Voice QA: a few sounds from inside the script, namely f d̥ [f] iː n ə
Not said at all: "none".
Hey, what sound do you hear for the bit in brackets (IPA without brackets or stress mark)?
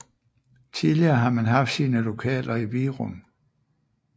s